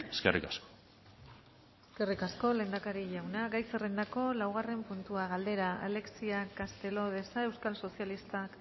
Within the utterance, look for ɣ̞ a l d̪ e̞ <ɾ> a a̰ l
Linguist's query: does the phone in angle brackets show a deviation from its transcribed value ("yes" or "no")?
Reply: no